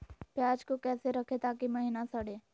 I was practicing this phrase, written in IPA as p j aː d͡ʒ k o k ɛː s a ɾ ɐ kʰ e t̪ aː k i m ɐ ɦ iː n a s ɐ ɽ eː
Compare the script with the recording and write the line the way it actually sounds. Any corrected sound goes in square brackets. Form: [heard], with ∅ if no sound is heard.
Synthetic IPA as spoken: p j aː d͡ʒ k o k ɛː s [e] ɾ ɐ kʰ e t̪ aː k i m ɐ ɦ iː n a s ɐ ɽ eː